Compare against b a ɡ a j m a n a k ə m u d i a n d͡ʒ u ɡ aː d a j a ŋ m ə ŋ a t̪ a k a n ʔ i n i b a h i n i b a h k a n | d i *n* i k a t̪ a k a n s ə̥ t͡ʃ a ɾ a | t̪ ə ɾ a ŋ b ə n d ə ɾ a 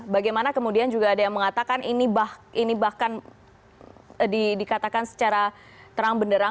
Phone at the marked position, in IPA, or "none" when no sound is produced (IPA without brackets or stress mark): d